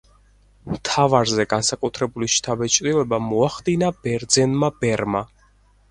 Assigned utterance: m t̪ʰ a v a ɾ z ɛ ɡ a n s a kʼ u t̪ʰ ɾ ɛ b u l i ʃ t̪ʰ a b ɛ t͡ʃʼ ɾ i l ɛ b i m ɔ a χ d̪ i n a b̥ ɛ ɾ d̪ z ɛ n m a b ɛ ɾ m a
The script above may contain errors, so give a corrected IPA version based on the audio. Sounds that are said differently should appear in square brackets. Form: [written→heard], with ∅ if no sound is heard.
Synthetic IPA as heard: m t̪ʰ a v a ɾ z ɛ ɡ a n s a kʼ u t̪ʰ ɾ ɛ b u l i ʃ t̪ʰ a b ɛ t͡ʃʼ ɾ i l ɛ b [i→a] m ɔ a χ d̪ i n a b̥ ɛ ɾ d̪ z ɛ n m a b ɛ ɾ m a